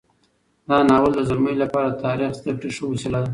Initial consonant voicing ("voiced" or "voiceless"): voiced